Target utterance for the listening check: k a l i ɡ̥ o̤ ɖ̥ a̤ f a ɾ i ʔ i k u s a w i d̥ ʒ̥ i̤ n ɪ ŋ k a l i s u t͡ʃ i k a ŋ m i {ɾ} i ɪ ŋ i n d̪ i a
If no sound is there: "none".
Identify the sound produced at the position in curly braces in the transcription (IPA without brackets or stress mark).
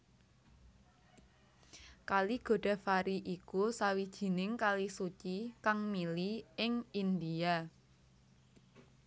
l